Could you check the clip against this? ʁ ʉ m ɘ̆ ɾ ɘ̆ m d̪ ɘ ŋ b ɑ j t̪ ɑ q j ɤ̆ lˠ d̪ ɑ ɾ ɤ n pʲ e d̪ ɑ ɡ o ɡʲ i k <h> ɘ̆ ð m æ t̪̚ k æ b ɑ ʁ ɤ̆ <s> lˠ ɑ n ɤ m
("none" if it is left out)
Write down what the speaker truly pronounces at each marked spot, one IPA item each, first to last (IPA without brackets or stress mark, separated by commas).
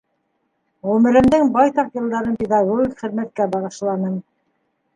χ, ʃ